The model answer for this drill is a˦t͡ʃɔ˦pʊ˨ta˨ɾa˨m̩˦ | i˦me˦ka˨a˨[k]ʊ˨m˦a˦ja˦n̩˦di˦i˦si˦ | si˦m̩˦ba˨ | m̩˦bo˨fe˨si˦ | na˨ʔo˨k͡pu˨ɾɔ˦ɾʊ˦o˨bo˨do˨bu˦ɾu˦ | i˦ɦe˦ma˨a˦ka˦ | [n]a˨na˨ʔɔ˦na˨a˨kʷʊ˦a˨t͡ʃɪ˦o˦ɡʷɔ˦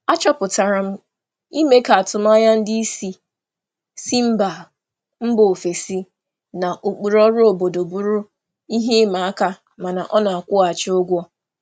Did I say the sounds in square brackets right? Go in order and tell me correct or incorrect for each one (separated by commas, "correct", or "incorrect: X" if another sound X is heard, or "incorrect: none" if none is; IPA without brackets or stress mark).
incorrect: t, incorrect: m